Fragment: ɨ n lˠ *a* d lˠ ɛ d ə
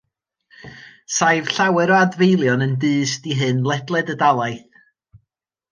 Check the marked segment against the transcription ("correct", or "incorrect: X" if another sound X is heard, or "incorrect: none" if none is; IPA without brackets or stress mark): incorrect: ɛ